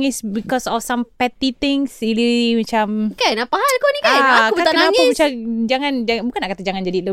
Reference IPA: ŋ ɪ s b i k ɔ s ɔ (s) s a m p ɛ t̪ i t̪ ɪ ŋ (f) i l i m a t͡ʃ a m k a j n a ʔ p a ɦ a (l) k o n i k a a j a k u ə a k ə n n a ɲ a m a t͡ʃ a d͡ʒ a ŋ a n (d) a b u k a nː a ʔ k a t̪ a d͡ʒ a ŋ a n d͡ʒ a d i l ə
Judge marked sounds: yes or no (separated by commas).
no, no, yes, no